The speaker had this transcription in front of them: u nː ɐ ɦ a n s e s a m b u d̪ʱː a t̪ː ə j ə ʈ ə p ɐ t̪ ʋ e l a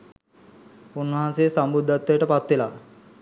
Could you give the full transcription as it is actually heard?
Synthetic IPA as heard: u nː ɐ ɦ a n s e s a m b u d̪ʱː a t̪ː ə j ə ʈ ə p a t̪ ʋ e l a